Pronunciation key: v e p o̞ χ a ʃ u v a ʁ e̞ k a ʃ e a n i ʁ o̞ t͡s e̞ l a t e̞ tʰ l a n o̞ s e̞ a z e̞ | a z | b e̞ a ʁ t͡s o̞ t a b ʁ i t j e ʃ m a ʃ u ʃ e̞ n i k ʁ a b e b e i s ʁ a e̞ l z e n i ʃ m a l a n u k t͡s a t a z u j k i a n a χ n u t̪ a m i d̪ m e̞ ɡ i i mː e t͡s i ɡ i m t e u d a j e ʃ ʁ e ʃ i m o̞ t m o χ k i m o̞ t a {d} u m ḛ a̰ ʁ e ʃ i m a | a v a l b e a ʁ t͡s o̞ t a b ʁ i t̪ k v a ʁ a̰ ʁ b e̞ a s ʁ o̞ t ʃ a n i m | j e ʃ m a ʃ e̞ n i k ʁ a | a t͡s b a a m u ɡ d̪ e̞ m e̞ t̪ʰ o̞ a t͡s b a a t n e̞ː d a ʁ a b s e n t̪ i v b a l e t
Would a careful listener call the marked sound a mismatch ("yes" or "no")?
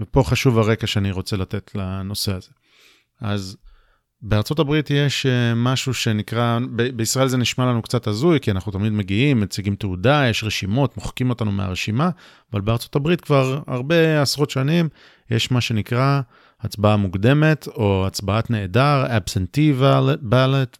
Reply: yes